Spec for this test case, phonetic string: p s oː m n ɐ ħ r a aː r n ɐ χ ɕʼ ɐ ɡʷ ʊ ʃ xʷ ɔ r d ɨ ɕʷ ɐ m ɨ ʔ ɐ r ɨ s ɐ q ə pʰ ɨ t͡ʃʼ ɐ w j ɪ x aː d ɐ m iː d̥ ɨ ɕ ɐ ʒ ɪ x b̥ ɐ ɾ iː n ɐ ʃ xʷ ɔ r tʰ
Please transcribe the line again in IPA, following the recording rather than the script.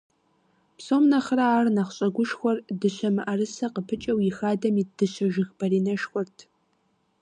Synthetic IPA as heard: p s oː m n ɐ χ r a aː r n ɐ χ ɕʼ ɐ ɡʷ ʊ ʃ xʷ ɔ r d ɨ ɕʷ ɐ m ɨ ʔ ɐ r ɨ s ɐ q ə pʰ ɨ t͡ʃʼ ɐ w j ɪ x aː d ɐ m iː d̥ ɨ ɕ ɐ ʒ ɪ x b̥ ɐ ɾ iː n ɐ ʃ xʷ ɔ r tʰ